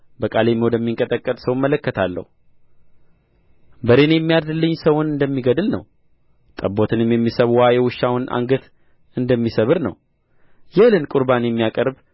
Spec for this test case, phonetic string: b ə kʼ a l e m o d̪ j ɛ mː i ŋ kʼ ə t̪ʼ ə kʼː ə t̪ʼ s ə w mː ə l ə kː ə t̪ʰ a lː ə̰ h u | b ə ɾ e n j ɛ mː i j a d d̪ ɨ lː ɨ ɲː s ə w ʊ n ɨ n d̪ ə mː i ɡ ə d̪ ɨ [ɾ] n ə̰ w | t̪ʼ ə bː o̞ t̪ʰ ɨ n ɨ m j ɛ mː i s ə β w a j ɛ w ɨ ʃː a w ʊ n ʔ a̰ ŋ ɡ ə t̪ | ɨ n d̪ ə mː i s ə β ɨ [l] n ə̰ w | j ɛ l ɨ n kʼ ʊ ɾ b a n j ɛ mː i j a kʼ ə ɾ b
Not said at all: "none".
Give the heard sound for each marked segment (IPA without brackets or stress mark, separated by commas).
l, ɾ